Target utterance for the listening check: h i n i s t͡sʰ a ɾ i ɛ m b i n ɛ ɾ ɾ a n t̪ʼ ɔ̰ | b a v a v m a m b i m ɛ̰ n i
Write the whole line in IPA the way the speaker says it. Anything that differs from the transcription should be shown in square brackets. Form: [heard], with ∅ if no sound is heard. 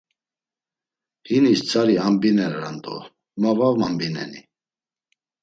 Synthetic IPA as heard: h i n i s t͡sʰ a ɾ i [a] m b i n ɛ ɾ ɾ a n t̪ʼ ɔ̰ | [m] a v a v m a m b i [n] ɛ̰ n i